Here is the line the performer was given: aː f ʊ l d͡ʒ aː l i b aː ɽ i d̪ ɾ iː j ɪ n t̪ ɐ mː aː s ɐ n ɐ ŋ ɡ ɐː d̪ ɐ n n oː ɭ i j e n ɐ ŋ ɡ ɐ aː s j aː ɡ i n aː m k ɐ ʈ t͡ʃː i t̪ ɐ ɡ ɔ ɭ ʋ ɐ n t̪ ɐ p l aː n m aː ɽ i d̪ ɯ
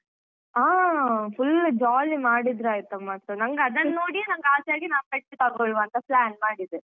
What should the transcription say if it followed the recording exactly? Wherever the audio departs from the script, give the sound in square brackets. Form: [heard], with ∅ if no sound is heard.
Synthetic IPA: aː f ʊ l d͡ʒ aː l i [m] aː ɽ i d̪ ɾ [aː] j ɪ [∅] t̪ ɐ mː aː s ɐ n ɐ ŋ ɡ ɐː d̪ ɐ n n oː [ɽ] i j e n ɐ ŋ ɡ ɐ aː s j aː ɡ i n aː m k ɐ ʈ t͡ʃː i t̪ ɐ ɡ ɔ ɭ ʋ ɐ n t̪ ɐ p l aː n m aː ɽ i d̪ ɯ